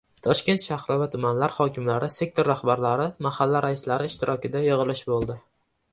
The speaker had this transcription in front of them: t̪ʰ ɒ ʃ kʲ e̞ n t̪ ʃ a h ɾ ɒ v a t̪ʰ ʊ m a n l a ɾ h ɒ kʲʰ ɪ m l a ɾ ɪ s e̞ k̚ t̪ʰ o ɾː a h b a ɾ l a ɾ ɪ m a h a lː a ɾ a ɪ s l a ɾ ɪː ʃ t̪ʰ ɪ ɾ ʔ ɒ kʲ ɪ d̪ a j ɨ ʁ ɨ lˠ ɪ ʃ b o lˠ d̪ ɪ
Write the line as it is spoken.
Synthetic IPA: t̪ʰ ɒ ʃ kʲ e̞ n t̪ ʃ a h ɾ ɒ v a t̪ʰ ʊ m a n l a ɾ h ɒ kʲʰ ɪ m l a ɾ ɪ s e̞ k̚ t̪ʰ o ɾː a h b a ɾ l a ɾ ɪ m a h a lː a ɾ a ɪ s l a ɾ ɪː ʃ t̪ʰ ɪ ɾ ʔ ɒ kʲ ɪ d̪ a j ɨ ʁ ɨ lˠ ɪ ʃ b o lˠ d̪ ɪ